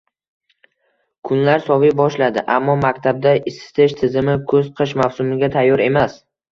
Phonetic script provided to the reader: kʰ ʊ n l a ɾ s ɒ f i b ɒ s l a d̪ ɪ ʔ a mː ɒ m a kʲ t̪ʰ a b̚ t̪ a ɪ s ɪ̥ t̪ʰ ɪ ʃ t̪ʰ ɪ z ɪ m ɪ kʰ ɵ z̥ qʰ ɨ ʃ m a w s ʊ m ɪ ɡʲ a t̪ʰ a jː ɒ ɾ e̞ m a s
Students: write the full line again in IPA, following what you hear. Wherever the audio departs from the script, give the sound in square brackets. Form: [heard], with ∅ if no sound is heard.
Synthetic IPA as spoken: kʰ ʊ n l a ɾ s ɒ [v] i b ɒ [ʃ] l a d̪ ɪ ʔ a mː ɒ m a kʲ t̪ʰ a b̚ [d̪] a ɪ s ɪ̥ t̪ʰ ɪ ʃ t̪ʰ ɪ z ɪ m ɪ kʰ ɵ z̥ qʰ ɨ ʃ m a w s ʊ m ɪ ɡʲ a t̪ʰ a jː ɒ ɾ e̞ m a s